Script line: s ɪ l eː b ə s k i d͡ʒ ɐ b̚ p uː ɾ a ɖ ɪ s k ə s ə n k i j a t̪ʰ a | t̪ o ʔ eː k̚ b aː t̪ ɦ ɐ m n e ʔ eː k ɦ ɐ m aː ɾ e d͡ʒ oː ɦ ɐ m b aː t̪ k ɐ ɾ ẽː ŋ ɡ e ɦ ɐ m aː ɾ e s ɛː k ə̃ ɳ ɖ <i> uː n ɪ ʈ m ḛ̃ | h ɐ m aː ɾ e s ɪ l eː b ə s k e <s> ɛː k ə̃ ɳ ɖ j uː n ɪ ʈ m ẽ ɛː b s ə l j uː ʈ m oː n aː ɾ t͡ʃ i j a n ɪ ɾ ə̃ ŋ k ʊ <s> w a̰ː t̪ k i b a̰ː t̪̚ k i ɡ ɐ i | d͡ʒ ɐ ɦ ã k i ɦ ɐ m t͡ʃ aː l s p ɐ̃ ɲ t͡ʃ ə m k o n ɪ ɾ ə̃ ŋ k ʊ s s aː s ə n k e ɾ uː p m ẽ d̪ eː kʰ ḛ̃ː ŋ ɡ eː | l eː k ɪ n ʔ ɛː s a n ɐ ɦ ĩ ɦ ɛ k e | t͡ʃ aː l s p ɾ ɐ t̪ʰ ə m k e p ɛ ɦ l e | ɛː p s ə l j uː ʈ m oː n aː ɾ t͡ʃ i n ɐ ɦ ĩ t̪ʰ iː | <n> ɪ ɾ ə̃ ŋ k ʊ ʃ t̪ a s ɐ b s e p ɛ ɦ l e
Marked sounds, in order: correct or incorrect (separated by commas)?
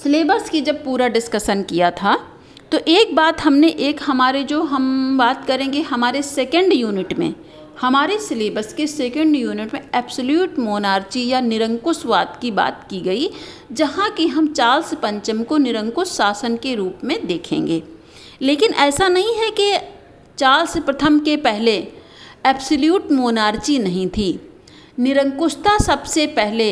incorrect, correct, correct, correct